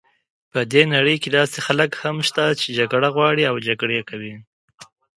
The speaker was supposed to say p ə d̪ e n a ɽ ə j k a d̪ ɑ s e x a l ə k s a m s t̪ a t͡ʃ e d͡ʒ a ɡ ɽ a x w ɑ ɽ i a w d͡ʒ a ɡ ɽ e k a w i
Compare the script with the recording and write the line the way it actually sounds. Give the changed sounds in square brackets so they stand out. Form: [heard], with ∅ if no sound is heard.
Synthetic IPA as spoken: p ə d̪ e n a ɽ ə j k [e] d̪ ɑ s e x a l ə k [h] a m [ʃ] t̪ a t͡ʃ e d͡ʒ a ɡ ɽ a [ɣ] w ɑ ɽ i a w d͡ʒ a ɡ ɽ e k a w i